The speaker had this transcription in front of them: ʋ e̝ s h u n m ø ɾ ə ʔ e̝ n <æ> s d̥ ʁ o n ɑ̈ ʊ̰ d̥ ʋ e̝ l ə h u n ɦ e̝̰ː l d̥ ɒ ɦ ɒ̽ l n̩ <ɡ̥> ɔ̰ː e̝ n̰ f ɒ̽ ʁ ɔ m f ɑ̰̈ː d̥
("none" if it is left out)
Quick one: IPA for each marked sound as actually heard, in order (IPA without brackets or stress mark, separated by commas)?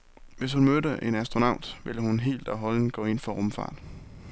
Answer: æ, ɡ̥